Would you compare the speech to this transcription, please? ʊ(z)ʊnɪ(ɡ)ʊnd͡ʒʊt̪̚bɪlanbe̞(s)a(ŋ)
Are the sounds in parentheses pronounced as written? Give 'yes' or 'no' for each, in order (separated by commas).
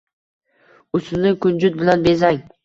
no, no, no, yes